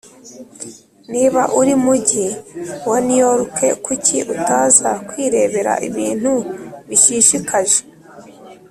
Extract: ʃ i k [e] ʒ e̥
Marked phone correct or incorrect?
incorrect